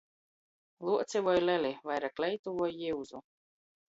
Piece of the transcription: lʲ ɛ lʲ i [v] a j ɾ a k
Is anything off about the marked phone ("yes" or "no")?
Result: no